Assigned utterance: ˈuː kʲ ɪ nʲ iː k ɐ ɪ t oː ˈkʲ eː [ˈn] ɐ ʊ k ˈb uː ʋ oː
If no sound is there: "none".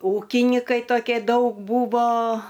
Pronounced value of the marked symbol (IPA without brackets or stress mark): d